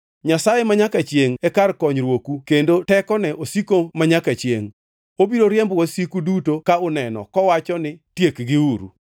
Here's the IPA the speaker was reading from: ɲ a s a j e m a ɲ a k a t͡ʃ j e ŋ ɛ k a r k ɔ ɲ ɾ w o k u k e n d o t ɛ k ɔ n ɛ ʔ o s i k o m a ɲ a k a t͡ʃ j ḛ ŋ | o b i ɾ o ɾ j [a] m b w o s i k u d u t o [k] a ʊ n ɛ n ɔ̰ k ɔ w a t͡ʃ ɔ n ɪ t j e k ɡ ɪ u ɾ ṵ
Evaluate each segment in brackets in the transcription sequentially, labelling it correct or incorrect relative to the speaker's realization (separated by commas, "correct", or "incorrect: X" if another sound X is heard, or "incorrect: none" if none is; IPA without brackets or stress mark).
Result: incorrect: ɛ, correct